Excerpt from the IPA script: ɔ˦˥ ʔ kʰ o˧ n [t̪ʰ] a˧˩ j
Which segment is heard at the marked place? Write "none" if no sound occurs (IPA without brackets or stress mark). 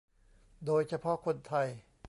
t̪ʰ